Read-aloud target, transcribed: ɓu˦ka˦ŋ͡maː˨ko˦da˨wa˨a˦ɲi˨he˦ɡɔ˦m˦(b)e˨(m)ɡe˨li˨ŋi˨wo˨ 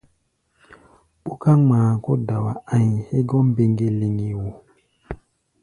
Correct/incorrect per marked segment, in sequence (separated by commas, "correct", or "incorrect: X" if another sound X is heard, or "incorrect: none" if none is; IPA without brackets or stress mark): correct, incorrect: ŋ